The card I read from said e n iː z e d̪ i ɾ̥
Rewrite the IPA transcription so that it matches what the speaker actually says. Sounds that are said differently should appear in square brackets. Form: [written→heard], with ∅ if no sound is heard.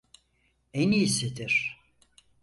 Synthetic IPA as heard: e n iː [z→s] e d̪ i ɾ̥